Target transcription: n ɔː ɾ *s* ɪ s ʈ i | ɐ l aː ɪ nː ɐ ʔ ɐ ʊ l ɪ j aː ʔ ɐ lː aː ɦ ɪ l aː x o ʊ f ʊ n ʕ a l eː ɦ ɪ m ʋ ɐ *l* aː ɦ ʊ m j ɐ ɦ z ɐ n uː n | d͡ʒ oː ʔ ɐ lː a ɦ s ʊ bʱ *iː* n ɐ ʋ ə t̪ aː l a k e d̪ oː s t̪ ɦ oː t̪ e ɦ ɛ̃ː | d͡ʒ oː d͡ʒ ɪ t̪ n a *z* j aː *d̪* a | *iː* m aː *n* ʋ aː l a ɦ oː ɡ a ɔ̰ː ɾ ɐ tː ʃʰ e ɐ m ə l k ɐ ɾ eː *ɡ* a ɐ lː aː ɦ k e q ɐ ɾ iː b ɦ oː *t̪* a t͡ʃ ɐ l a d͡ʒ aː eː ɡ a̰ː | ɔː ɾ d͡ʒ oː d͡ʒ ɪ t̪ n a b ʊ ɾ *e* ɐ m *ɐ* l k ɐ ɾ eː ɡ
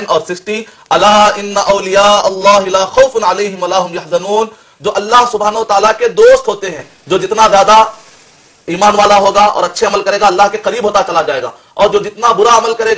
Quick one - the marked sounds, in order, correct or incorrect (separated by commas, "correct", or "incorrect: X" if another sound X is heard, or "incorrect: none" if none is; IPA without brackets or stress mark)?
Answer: correct, correct, incorrect: aː, correct, correct, correct, correct, correct, correct, incorrect: a, incorrect: ə